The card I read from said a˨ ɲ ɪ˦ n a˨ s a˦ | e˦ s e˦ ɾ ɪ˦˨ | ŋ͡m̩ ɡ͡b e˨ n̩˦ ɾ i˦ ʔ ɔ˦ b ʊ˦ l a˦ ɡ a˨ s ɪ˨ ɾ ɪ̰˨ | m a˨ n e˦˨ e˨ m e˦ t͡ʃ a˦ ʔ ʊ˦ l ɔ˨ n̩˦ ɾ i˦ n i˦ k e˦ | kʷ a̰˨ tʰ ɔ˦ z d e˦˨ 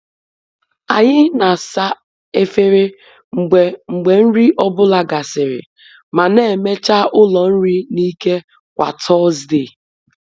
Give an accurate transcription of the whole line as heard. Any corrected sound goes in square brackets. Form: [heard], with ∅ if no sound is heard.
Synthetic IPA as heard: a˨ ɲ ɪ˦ n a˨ s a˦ | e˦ [f] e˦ ɾ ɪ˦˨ | ŋ͡m̩ ɡ͡b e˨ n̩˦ ɾ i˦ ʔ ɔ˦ b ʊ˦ l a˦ ɡ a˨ s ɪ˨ ɾ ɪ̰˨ | m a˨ n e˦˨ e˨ m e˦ t͡ʃ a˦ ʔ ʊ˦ l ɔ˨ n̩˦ ɾ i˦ n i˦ k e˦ | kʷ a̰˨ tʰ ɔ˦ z d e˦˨